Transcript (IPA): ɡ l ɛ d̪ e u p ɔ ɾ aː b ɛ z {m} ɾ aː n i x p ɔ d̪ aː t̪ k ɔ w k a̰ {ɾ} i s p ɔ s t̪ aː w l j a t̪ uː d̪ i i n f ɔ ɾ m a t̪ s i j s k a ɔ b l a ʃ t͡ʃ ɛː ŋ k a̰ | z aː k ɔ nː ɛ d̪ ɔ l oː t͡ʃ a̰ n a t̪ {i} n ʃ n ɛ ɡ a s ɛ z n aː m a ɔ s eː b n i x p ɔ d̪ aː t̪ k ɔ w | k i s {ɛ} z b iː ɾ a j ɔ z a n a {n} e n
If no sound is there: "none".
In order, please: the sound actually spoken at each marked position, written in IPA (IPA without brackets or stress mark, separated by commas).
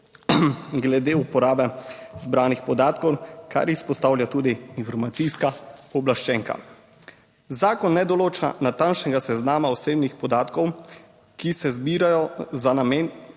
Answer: b, ɾ, a, ɛ, m